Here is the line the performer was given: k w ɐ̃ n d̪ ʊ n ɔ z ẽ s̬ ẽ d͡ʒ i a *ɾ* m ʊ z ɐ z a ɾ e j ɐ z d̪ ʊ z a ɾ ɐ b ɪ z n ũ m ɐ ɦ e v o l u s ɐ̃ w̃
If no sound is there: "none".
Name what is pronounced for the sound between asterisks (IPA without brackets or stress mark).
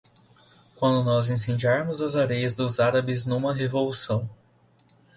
ɾ